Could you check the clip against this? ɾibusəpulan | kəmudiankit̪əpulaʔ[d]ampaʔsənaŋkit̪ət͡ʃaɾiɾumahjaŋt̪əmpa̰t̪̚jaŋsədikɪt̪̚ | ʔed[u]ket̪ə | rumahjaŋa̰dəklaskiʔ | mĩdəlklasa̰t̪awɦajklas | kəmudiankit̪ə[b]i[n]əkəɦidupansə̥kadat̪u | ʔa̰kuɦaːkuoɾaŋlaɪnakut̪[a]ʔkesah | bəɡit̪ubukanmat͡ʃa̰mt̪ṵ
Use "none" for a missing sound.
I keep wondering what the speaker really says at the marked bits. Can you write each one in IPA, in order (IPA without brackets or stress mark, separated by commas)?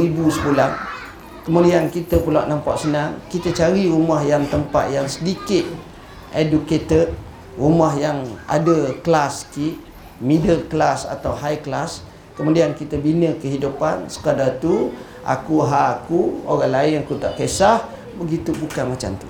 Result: n, u, b, n, a